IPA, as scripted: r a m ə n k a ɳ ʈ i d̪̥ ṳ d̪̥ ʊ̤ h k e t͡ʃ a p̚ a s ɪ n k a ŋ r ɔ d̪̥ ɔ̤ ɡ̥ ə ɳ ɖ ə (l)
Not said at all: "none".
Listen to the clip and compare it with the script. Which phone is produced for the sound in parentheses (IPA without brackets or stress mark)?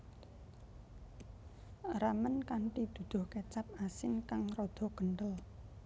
l